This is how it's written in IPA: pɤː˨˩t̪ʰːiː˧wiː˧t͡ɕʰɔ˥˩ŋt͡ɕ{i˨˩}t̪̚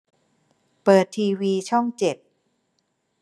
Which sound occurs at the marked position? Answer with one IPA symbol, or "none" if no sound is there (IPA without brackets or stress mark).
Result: e˨˩